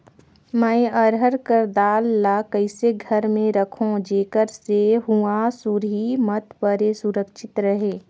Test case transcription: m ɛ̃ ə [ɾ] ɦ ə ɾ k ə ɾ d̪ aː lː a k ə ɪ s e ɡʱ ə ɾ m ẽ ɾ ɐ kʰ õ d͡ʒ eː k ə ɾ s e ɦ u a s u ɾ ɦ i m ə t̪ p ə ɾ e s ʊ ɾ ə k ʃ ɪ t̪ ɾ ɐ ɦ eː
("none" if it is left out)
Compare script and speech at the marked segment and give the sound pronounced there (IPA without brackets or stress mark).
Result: ɾ